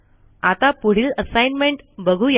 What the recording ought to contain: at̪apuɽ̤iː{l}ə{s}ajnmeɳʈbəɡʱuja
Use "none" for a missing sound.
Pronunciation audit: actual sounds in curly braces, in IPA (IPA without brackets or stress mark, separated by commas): l, s